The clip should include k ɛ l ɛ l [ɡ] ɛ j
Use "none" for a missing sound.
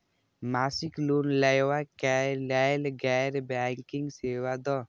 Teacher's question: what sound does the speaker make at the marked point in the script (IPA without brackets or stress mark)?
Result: ɡ